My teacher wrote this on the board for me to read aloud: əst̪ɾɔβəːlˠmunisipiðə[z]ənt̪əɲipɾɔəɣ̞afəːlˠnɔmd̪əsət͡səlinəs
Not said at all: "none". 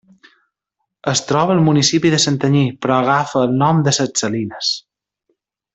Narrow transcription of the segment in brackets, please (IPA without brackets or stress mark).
s